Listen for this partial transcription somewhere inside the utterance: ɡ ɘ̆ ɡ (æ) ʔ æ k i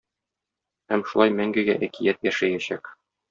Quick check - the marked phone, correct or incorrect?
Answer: correct